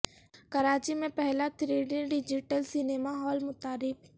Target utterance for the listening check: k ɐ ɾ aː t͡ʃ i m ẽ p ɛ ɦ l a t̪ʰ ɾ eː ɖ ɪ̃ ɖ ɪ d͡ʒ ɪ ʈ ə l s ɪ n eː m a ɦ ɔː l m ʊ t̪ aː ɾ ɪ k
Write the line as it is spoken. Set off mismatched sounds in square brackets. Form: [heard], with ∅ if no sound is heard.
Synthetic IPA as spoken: k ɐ ɾ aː t͡ʃ i m ẽ p ɛ ɦ l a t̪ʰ ɾ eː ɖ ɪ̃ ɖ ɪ d͡ʒ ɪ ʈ ə l s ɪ n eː m a ɦ ɔː l m ʊ t̪ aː ɾ ɪ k